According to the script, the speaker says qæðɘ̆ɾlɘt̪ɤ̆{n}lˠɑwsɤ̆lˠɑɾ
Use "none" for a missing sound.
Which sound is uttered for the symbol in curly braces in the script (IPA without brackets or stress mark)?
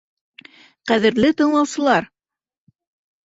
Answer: ɴ